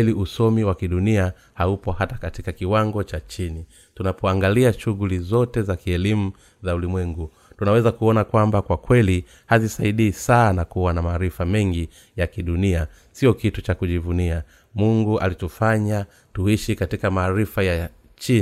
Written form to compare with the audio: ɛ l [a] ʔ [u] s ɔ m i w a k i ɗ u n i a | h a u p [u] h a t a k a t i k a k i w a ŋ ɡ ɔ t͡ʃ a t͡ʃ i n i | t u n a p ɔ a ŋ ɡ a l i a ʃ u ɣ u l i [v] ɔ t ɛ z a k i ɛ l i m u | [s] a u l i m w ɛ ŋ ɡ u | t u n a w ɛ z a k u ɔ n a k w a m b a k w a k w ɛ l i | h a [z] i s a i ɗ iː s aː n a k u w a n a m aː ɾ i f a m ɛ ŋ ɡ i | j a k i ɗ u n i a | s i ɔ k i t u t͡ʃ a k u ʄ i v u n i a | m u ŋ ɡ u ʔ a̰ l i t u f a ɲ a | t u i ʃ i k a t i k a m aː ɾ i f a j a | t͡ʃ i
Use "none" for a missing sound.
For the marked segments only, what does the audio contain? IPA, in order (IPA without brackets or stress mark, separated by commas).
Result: i, u, ɔ, z, z, z